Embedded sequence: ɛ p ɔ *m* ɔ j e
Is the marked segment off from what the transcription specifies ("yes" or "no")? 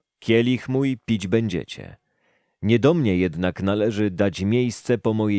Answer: no